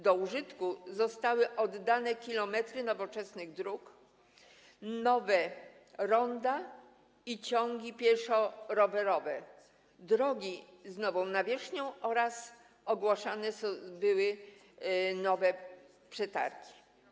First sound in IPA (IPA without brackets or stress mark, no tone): d̪